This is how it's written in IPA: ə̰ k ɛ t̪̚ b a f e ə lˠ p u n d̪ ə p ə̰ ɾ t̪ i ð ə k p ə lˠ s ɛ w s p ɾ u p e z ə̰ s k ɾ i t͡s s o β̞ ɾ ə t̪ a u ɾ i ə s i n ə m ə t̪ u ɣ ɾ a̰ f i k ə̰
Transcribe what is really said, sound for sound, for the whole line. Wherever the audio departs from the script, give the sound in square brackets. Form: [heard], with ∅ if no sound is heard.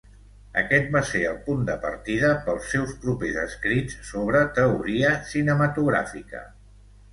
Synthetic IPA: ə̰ k ɛ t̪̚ b a [s] e ə lˠ p u n d̪ ə p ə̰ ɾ t̪ i ð ə [∅] p ə lˠ s ɛ w s p ɾ u p e z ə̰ s k ɾ i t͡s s o β̞ ɾ ə t̪ [ə] u ɾ i ə s i n ə m ə t̪ u ɣ ɾ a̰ f i k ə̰